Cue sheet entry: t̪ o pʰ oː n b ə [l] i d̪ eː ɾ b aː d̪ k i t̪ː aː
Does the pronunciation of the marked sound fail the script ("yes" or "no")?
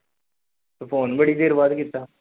yes